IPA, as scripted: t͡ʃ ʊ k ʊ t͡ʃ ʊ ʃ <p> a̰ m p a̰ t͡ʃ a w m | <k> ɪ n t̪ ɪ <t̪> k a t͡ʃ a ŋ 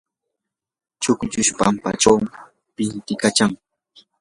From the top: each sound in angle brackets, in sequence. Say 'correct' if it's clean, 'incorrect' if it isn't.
correct, incorrect: p, incorrect: none

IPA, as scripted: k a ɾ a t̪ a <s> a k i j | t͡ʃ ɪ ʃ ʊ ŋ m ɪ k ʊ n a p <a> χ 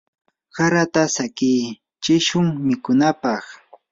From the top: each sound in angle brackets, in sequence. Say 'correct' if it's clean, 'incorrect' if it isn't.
correct, incorrect: ɑ

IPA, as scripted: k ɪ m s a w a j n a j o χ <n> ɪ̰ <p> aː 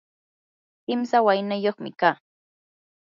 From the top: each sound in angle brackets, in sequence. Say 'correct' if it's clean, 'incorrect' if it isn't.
incorrect: m, incorrect: k

